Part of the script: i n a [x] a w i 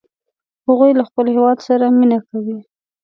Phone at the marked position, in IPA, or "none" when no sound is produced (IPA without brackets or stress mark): k